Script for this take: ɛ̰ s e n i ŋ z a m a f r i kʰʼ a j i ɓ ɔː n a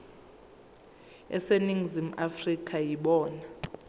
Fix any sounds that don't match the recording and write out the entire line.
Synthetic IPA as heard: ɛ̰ s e n i ŋ z i m a f r i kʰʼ a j i ɓ ɔː n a